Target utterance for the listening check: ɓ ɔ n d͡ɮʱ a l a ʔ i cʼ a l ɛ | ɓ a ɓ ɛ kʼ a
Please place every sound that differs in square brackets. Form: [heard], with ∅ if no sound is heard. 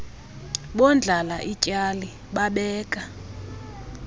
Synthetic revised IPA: ɓ ɔ n d͡ɮʱ a l a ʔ i cʼ a l [i] | ɓ a ɓ [ɛː] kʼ a